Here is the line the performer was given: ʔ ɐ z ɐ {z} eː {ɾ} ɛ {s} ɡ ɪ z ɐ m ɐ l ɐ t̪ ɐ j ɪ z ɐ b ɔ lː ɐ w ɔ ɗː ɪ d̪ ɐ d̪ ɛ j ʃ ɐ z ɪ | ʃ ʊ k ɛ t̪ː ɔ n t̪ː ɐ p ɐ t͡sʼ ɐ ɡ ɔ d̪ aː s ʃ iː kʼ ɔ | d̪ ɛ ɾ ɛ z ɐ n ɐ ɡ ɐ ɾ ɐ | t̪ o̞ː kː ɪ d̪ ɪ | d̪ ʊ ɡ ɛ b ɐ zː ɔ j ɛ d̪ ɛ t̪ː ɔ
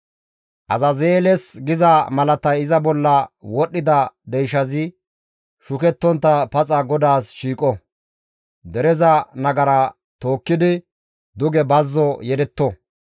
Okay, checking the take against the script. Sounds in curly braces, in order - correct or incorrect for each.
correct, incorrect, correct

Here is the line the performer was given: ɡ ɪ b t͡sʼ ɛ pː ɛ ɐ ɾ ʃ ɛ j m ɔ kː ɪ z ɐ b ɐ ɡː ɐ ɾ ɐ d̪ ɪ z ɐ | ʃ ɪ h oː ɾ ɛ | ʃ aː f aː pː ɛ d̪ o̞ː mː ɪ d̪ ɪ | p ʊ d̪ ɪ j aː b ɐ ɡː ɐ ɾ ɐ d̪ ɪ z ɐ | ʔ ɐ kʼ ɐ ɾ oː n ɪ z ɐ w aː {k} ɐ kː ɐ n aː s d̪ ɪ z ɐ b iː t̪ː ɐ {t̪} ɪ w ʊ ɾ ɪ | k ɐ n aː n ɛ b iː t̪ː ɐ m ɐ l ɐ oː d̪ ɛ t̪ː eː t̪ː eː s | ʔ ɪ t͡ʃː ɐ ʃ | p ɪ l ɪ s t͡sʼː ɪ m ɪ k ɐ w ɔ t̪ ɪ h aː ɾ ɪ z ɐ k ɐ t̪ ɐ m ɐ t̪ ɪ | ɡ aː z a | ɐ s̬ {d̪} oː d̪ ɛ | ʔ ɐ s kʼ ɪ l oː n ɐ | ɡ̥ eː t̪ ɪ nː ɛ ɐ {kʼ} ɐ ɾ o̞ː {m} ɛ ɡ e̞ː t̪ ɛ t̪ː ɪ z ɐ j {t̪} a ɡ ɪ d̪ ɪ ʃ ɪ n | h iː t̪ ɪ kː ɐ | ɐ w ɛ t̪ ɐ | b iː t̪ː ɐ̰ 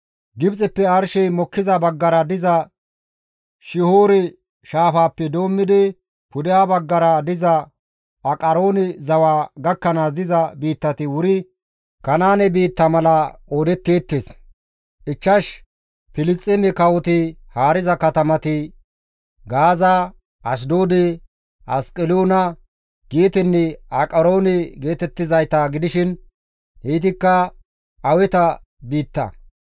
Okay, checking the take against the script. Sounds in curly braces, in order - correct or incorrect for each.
incorrect, correct, correct, correct, incorrect, correct

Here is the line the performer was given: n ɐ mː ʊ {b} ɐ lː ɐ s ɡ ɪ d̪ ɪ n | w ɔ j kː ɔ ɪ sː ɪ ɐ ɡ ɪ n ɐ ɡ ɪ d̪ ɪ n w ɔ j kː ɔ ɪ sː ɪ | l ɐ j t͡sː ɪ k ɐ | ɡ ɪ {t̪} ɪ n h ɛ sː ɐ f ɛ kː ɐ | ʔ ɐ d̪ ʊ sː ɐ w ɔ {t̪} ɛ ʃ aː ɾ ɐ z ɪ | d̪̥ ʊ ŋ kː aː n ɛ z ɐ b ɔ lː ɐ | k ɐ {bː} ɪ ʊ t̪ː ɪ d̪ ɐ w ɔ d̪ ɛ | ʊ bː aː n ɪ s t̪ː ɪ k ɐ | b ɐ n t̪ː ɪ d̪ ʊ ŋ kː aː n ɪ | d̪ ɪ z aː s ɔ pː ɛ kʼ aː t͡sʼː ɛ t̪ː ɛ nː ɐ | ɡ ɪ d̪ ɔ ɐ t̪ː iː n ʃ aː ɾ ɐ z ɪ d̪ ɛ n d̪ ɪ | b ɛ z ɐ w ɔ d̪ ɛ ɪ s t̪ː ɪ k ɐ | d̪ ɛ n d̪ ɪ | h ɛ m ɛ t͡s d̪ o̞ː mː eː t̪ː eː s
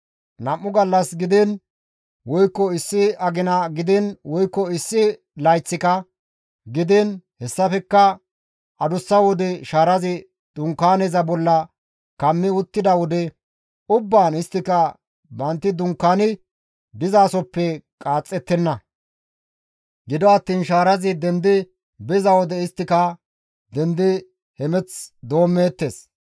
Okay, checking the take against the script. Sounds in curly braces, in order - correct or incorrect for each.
incorrect, incorrect, incorrect, incorrect

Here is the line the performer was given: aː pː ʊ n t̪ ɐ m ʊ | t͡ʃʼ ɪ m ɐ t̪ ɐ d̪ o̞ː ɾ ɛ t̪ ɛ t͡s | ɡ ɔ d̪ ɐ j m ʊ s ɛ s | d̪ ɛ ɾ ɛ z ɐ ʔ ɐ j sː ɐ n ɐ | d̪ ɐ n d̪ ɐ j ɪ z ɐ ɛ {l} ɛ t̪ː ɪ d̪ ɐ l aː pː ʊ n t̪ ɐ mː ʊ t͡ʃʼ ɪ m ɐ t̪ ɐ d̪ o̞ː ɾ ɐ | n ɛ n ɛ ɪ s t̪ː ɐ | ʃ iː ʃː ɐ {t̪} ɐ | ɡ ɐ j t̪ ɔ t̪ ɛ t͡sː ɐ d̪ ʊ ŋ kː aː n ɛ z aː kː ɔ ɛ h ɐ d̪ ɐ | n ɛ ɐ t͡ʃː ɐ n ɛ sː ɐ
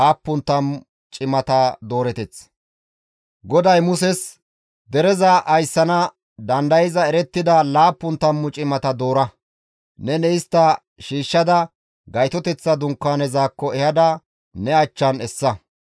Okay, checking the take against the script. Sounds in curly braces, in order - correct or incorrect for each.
incorrect, incorrect

